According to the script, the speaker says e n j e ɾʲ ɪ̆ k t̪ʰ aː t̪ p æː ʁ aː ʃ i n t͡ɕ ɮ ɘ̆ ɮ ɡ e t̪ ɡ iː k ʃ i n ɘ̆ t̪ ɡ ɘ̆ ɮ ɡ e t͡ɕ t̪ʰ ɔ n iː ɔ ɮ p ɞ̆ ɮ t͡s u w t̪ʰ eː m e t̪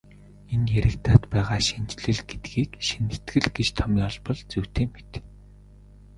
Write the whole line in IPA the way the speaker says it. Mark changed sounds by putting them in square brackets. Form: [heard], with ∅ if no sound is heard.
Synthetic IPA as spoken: e n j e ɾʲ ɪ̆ k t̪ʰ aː t̪ p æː ʁ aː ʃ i n t͡ɕ ɮ ɘ̆ ɮ ɡ e t̪ ɡ iː k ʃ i n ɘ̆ t̪ ɡ ɘ̆ ɮ ɡ e t͡ɕ t̪ʰ ɔ [m] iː ɔ ɮ p ɞ̆ ɮ t͡s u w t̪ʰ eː m e t̪